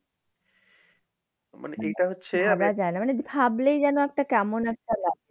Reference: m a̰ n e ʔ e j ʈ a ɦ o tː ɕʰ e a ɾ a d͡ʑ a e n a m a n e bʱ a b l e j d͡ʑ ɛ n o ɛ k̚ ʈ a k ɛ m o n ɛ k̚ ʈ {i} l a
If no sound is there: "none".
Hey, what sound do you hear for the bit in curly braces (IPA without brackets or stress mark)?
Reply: a